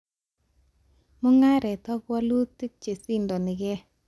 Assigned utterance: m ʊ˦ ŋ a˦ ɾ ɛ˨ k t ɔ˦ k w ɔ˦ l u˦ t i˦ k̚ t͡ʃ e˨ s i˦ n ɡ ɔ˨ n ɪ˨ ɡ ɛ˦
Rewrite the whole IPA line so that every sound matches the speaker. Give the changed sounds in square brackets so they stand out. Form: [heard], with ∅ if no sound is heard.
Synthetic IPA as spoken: m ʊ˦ ŋ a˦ ɾ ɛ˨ [∅] t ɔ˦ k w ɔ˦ l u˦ t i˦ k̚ t͡ʃ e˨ s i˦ n [d] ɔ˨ n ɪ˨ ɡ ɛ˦